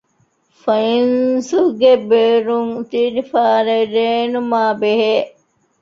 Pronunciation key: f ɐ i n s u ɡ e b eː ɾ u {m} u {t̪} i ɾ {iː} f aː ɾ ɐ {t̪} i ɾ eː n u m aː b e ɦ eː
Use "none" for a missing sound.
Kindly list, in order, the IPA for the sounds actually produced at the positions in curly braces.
ŋ, t̪, i, none

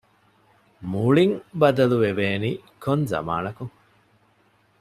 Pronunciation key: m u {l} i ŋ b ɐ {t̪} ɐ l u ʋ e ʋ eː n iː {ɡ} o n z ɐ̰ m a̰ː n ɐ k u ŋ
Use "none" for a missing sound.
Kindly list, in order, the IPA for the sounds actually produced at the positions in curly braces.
ɭ, d̪, k

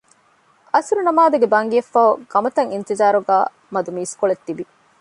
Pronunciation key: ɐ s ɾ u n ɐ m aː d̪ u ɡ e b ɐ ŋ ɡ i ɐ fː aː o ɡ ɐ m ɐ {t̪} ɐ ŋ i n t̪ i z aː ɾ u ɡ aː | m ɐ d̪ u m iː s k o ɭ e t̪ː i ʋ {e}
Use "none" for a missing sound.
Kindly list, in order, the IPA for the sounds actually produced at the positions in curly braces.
t̪, i

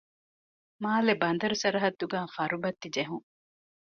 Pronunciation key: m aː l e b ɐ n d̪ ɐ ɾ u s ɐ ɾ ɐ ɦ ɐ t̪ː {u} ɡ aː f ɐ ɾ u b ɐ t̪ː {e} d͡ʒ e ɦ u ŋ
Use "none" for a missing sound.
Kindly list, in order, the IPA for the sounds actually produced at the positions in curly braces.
u, i

